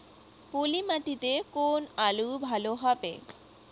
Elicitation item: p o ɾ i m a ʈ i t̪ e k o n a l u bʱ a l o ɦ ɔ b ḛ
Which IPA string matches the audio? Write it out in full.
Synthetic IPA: p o l i m a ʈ i t̪ e k o n a l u bʱ a l o ɦ ɔ b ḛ